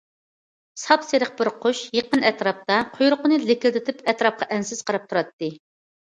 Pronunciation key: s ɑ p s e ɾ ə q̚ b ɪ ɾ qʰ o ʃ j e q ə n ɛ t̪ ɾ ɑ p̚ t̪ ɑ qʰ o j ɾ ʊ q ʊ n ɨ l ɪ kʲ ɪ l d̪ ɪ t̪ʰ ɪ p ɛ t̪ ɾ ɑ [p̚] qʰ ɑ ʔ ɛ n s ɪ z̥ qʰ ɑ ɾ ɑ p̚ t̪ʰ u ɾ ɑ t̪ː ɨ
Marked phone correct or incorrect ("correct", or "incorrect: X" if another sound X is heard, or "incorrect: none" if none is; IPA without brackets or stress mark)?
correct